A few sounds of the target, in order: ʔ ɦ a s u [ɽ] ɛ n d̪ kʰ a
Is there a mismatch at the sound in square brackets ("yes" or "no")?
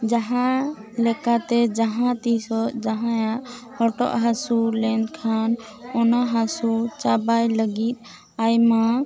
yes